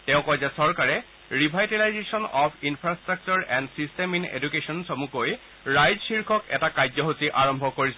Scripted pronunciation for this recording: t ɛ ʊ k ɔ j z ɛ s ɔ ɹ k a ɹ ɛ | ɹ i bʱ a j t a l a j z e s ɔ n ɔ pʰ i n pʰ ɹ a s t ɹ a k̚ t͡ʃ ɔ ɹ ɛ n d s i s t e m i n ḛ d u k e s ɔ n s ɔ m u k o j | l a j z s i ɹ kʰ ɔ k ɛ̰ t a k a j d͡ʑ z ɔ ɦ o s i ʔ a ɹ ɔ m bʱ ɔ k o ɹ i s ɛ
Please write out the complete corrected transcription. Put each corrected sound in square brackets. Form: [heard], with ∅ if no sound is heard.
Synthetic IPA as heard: t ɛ [ʊ̃] k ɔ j z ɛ s ɔ ɹ k a ɹ ɛ | ɹ i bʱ a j t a l a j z e s ɔ n ɔ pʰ i n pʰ ɹ a s t ɹ a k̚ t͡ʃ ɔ ɹ ɛ n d s i s t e m i n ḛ d u k e s ɔ n s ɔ m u k o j | [ɹ] a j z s i ɹ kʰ ɔ k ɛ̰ t a k a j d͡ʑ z ɔ ɦ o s i ʔ a ɹ ɔ m bʱ ɔ k o ɹ i s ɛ